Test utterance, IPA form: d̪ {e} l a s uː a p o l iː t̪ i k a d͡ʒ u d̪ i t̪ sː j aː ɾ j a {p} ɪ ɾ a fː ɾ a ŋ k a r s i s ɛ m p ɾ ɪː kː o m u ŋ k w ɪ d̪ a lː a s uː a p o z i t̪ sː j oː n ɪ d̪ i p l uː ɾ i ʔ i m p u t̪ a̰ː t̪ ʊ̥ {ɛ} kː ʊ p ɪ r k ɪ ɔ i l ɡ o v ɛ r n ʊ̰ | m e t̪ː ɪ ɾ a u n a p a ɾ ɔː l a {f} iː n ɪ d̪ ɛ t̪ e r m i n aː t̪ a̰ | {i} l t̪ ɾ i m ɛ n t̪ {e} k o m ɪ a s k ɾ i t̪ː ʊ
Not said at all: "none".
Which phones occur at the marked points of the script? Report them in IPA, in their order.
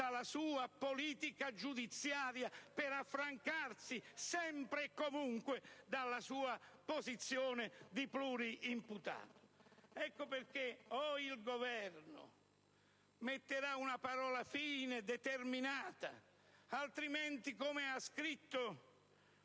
a, p, ɛ, f, a, i

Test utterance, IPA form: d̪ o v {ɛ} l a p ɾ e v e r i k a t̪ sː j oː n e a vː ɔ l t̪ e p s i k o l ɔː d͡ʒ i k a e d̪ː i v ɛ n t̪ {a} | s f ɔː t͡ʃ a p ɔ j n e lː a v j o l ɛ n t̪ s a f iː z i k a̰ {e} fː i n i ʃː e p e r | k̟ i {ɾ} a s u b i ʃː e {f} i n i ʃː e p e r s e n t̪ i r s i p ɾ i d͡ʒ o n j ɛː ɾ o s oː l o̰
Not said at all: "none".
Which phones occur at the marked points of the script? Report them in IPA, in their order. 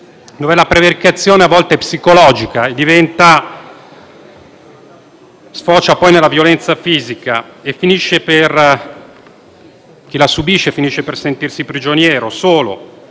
ɛ, a, e, l, f

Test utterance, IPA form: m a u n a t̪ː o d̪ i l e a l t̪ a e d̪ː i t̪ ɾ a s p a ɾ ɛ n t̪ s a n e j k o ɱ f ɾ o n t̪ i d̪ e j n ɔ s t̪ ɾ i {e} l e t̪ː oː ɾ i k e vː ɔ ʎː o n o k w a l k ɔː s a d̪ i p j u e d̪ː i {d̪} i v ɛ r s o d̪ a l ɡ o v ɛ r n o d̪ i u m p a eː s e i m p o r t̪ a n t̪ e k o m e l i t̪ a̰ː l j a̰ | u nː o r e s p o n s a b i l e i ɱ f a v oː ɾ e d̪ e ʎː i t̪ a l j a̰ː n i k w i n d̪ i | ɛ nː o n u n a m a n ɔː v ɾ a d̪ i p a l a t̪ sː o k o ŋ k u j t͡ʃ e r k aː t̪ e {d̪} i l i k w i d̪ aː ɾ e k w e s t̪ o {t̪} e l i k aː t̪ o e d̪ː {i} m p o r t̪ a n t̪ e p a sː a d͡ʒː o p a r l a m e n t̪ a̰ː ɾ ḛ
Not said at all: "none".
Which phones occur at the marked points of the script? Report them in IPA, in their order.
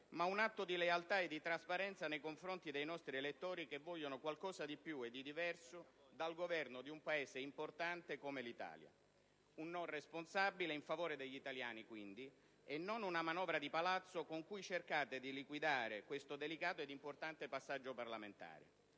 e, d̪, d̪, d̪, i

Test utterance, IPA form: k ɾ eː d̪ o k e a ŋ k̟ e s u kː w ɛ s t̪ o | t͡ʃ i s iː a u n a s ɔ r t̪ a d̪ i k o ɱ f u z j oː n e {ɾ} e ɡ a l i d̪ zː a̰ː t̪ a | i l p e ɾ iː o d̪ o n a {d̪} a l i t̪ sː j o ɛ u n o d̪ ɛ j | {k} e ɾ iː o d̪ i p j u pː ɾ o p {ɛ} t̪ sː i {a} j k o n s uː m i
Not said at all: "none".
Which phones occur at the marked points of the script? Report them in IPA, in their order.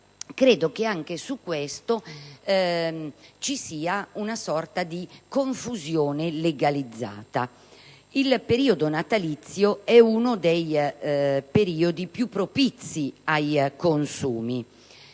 l, t̪, p, i, a

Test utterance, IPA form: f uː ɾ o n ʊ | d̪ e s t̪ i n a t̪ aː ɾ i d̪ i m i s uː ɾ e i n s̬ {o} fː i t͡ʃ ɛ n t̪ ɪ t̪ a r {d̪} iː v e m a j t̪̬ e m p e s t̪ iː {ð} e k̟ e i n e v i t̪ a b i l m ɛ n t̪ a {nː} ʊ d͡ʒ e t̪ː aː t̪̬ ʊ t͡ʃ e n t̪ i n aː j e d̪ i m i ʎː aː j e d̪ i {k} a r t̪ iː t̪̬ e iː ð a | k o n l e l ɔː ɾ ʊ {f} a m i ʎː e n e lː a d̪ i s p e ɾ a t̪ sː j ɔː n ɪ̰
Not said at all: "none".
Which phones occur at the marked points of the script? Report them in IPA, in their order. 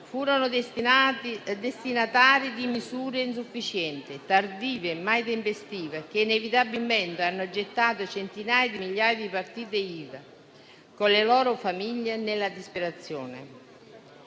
u, d̪, v, nː, p, f

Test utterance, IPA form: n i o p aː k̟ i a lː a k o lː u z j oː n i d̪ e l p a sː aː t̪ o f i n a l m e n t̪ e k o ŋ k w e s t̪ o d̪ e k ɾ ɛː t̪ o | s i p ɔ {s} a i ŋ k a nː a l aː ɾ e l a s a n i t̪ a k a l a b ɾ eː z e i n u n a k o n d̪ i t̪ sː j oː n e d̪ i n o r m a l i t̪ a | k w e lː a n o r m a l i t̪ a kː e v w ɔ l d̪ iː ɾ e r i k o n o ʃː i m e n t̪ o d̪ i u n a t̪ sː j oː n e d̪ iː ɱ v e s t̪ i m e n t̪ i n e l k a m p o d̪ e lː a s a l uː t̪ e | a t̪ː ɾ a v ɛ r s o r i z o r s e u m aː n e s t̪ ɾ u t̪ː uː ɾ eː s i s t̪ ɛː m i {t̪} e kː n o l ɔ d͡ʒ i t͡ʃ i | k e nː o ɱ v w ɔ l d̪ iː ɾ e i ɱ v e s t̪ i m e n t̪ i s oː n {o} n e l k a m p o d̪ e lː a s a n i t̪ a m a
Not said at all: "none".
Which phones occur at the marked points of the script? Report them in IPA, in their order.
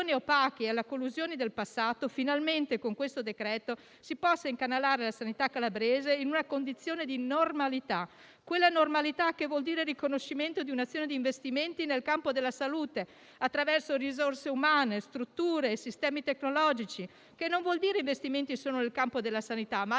sː, t̪, o

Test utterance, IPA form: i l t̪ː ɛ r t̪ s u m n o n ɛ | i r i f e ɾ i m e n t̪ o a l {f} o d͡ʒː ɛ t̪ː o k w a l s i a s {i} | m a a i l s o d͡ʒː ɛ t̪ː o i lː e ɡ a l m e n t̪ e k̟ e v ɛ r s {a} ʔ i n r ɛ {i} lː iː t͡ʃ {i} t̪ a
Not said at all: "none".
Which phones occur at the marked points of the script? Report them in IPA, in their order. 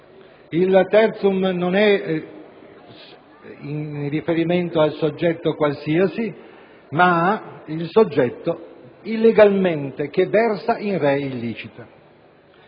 s, i, a, i, i

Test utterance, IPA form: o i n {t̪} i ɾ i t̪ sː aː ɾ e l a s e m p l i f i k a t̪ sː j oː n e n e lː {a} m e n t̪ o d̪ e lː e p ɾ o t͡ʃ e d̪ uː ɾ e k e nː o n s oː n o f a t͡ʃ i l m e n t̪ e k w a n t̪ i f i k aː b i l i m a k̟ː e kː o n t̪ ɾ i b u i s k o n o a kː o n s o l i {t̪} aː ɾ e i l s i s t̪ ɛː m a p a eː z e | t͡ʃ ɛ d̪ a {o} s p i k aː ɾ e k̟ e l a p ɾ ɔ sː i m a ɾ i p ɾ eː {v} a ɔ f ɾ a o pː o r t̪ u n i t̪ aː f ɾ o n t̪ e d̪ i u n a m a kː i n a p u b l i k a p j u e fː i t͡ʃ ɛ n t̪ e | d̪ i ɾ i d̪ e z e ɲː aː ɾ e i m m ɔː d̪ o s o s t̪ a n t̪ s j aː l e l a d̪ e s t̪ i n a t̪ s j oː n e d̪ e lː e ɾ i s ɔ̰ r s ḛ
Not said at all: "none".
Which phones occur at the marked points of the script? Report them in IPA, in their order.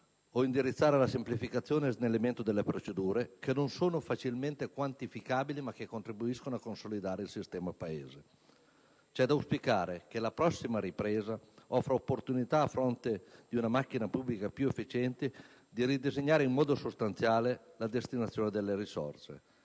d̪, e, d̪, u, z

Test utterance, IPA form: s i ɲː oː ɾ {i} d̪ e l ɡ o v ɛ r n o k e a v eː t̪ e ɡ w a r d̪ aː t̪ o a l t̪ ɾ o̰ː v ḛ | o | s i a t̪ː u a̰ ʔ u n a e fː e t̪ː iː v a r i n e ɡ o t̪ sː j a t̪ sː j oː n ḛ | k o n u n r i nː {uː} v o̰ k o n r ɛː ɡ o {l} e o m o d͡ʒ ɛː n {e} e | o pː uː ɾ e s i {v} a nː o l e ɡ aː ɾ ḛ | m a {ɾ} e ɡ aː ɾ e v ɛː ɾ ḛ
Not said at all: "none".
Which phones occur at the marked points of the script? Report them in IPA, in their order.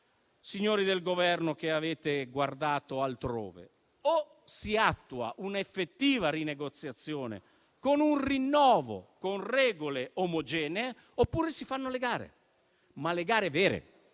i, ɔː, l, e, f, l

